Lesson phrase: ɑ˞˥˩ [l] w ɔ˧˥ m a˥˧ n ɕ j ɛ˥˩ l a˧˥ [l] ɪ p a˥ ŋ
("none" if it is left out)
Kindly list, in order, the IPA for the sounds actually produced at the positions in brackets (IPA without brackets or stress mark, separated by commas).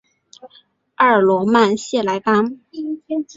l, none